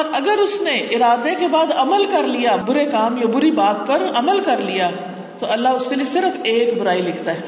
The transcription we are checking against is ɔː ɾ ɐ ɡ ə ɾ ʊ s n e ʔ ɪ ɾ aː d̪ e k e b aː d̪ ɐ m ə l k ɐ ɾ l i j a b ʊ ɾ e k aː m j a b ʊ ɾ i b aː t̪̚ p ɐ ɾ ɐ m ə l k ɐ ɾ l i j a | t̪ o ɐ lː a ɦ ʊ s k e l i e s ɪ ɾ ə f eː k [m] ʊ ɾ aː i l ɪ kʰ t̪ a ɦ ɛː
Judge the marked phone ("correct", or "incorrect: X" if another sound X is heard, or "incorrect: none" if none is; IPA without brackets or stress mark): incorrect: b